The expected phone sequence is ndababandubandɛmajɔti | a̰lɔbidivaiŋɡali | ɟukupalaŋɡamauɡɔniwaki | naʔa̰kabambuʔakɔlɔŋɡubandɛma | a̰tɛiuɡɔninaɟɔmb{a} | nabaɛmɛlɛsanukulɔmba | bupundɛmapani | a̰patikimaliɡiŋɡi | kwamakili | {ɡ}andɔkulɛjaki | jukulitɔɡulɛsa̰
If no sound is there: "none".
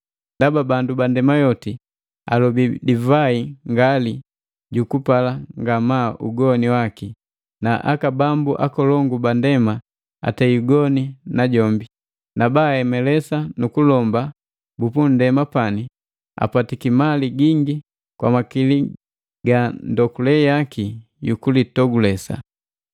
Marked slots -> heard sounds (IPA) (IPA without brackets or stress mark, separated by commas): i, ɡ